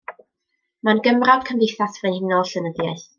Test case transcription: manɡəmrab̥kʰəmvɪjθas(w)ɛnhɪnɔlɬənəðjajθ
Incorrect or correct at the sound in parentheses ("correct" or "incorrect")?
incorrect